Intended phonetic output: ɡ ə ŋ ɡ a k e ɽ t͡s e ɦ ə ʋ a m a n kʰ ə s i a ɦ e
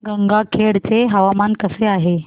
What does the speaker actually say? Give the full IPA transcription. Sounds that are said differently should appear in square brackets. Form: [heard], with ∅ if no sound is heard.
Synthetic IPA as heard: ɡ ə ŋ ɡ a [kʰ] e ɽ t͡s e ɦ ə ʋ a m a n [k] ə s [e] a ɦ e